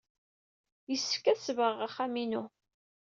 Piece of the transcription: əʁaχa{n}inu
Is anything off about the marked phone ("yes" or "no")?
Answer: yes